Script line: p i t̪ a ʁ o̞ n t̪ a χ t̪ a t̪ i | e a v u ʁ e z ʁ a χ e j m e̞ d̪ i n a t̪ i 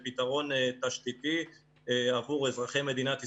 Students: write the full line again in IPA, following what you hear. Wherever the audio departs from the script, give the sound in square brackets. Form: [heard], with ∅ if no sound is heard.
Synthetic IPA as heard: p i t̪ a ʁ o̞ n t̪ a [ʃ] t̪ [i] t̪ i | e a v u ʁ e z ʁ a χ e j m e̞ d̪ i n a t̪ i